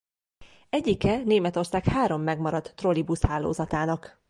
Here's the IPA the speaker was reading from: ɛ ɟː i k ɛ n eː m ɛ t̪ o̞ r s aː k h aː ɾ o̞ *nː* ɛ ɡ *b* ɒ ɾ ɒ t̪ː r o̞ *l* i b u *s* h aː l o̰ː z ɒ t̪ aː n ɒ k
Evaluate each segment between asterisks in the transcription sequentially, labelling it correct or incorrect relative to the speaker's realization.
incorrect: mː, incorrect: m, correct, correct

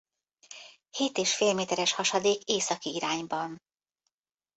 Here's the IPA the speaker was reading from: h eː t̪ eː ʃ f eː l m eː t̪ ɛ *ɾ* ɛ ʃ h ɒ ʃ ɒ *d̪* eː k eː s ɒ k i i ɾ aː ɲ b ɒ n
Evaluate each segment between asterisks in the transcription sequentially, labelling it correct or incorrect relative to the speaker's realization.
correct, correct

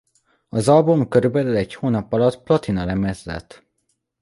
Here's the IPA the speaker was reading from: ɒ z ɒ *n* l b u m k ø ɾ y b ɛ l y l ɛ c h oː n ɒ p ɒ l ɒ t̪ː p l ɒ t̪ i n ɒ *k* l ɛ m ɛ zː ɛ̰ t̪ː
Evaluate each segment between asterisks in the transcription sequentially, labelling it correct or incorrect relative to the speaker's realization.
incorrect: none, incorrect: none

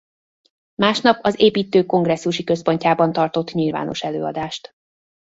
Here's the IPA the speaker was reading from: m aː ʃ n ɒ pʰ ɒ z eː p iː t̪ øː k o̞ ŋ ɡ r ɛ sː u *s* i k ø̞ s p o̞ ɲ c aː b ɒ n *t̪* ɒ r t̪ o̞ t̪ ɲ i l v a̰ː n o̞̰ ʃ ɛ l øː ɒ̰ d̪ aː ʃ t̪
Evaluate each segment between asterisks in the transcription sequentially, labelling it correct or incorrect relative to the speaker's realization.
incorrect: ʃ, correct

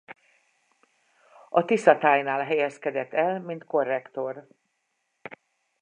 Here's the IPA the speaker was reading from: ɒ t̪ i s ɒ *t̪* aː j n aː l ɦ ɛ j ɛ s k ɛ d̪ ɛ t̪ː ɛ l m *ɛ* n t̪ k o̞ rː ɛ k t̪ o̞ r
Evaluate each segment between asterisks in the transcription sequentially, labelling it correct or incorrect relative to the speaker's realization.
correct, incorrect: i

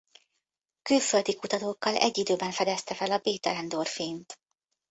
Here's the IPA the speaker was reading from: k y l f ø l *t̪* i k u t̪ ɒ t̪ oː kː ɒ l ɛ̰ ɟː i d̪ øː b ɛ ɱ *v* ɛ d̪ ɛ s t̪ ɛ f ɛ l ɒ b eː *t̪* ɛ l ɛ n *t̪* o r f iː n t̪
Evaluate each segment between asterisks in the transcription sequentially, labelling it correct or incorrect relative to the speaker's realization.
incorrect: d̪, incorrect: f, correct, incorrect: d̪

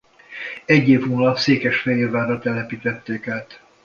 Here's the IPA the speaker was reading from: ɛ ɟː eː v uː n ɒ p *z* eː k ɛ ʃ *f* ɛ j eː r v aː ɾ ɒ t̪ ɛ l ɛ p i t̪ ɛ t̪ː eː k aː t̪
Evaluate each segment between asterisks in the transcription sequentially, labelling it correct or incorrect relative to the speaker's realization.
incorrect: s, correct

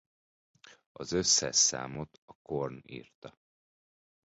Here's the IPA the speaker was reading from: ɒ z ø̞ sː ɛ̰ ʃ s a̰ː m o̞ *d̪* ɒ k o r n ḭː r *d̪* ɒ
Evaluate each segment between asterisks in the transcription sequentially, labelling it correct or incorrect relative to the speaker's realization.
incorrect: t̪, incorrect: t̪

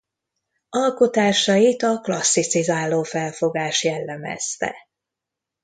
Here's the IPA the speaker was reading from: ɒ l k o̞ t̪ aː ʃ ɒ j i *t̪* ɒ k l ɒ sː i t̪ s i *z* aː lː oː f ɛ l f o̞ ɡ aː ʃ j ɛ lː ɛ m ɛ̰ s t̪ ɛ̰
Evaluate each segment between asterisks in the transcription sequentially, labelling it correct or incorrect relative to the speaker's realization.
correct, correct

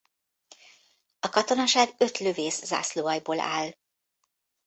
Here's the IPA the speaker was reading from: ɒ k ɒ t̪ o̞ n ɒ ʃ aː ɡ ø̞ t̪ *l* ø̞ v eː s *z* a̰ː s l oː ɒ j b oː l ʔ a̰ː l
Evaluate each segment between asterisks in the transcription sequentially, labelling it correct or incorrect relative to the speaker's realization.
correct, correct

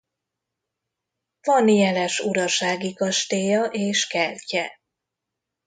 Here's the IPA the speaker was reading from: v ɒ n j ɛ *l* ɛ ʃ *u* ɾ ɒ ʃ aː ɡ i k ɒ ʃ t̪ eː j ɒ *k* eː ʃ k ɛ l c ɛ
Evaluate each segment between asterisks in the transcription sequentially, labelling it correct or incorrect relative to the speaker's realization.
correct, correct, incorrect: ʔ

